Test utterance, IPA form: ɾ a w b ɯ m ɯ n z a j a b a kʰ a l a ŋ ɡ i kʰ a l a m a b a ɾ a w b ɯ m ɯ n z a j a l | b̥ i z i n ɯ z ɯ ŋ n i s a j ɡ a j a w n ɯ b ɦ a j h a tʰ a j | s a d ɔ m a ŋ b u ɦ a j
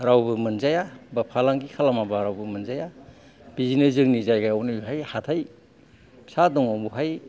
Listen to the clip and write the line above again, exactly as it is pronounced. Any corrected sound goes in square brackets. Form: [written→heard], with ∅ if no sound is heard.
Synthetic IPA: ɾ a w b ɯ m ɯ n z a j a b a [kʰ→pʰ] a l a ŋ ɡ i kʰ a l a m a b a ɾ a w b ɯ m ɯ n z a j a [l→∅] | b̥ i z i n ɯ z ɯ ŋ n i [s→z] a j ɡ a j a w n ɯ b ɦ a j h a tʰ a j | s a d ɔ [m→ŋ] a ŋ b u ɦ a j